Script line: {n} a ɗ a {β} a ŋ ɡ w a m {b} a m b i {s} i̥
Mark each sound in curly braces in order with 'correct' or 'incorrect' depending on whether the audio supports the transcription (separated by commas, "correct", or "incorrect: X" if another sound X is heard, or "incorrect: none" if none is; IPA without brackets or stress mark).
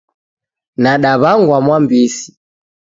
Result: correct, correct, incorrect: w, correct